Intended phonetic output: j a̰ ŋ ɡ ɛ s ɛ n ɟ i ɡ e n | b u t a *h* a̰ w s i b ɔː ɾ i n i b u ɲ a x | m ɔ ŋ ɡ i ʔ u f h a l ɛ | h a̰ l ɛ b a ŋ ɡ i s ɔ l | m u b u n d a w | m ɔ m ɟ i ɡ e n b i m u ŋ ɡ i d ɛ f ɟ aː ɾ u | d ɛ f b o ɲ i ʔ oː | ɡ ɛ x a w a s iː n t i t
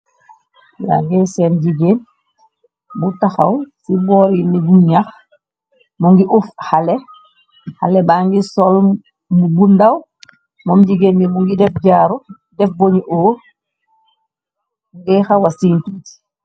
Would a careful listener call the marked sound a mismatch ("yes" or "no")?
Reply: yes